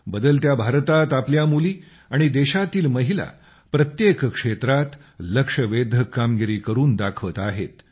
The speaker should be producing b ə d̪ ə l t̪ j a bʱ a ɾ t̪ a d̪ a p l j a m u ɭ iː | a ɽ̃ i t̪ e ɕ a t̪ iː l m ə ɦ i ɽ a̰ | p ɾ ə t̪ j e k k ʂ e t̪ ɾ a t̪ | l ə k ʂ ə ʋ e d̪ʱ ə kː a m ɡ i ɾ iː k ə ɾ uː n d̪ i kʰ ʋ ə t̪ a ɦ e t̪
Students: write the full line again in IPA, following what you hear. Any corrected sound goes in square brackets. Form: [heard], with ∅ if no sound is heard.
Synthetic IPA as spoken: b ə d̪ ə l t̪ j a bʱ a ɾ t̪ a [t̪] a p l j a m u [l] iː | a ɽ̃ i [d̪] e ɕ a t̪ iː l m ə ɦ i [l] a̰ | p ɾ ə t̪ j e k k ʂ e t̪ ɾ a t̪ | l ə k ʂ ə ʋ e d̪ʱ ə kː a m ɡ i ɾ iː k ə ɾ uː n d̪ [a] kʰ ʋ ə t̪ a ɦ e t̪